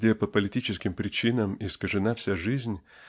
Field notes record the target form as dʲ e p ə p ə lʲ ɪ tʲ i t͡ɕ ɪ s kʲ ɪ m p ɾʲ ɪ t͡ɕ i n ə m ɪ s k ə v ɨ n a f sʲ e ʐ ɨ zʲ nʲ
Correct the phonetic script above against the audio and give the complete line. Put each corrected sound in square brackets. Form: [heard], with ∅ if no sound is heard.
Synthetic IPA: dʲ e p ə p ə lʲ ɪ tʲ i t͡ɕ ɪ s kʲ ɪ m p ɾʲ ɪ t͡ɕ i n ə m ɪ s k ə [ʐ] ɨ n a f sʲ [a] ʐ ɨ zʲ nʲ